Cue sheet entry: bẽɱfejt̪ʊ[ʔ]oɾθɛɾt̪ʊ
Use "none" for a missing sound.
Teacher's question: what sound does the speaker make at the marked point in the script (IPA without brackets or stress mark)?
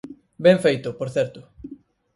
p